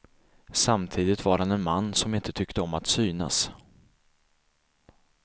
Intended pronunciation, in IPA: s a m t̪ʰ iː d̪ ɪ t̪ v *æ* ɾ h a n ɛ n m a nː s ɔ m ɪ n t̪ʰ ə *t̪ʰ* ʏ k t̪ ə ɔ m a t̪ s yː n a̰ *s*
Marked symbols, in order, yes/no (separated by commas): no, yes, yes